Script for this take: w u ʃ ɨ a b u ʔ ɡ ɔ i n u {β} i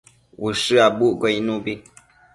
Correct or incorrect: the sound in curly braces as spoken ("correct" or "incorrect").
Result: incorrect